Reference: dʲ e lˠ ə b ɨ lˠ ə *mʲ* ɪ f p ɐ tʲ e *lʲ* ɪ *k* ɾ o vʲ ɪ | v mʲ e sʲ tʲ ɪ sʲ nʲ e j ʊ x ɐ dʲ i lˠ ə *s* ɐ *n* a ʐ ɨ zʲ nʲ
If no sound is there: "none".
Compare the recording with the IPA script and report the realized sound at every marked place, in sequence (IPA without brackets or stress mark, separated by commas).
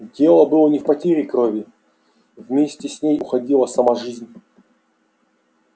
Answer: nʲ, ɾʲ, k, s, m